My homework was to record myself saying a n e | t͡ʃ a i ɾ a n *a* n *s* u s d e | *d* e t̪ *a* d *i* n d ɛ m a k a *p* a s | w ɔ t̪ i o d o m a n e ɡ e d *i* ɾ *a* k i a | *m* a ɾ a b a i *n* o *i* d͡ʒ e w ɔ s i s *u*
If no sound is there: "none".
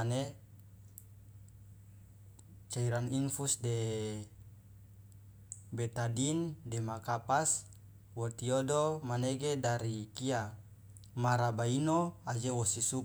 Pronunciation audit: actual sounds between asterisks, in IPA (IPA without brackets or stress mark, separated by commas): i, f, b, a, i, p, a, i, m, n, a, u